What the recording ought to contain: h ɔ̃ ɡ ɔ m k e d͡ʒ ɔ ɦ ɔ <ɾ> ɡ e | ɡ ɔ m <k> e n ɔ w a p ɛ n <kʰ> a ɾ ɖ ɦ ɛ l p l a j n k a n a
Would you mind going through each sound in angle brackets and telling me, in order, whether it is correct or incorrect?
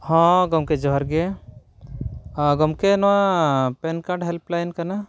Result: correct, correct, incorrect: k

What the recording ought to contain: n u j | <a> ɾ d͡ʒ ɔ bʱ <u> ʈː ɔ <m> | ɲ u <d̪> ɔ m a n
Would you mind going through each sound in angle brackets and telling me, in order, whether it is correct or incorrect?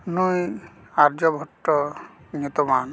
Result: correct, incorrect: ɔ, incorrect: none, incorrect: t̪

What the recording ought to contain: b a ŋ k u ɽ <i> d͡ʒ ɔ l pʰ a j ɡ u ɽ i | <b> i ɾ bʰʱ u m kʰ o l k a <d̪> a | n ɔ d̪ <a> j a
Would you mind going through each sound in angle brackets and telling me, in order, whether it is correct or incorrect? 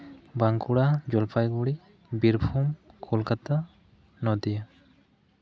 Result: incorrect: a, correct, incorrect: t̪, incorrect: i

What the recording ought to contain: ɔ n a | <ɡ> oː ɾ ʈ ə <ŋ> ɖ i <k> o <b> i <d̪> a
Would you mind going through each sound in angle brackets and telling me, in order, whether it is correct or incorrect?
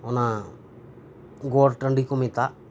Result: correct, incorrect: ɳ, correct, incorrect: m, incorrect: t̪

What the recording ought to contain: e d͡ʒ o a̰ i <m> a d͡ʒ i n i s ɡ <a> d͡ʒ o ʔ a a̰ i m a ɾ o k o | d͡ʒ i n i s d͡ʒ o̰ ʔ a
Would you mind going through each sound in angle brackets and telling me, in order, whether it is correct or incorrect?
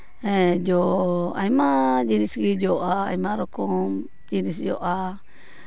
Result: correct, incorrect: i

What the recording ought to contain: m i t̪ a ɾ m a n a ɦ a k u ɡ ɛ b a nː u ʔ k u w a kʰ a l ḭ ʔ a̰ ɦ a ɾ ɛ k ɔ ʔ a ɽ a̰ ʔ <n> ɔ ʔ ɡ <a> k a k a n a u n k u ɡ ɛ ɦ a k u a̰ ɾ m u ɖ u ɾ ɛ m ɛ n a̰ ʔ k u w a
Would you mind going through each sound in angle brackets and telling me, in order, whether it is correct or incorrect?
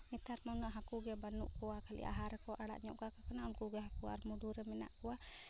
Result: incorrect: ɲ, correct

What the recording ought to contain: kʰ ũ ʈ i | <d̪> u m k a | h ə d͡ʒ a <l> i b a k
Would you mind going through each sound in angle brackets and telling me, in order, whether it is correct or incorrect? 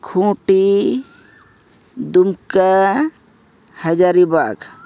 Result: correct, incorrect: ɾ

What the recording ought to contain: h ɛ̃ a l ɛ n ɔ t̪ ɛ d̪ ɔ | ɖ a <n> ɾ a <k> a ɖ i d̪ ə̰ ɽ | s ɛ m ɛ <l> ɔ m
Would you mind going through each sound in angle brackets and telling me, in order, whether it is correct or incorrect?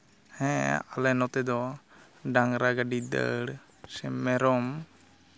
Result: incorrect: ŋ, incorrect: ɡ, incorrect: ɾ

